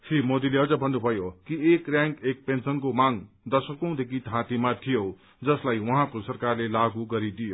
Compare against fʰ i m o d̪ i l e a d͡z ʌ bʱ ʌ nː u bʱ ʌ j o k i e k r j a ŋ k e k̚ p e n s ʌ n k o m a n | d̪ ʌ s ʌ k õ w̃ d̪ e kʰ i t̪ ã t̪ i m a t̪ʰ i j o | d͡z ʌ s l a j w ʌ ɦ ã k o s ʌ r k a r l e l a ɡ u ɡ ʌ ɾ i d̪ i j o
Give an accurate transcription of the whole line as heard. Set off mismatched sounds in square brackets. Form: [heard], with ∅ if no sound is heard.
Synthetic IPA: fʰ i m o d̪ i l e [ʌ] d͡z ʌ bʱ ʌ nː u bʱ ʌ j o k i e k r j a ŋ k e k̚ p e n s ʌ n k o m a [ŋ] | d̪ ʌ s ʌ k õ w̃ d̪ e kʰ i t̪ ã t̪ i m a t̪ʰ i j o | d͡z ʌ s l a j w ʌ ɦ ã k o s ʌ r k a r l e l a ɡ u ɡ ʌ ɾ i d̪ i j o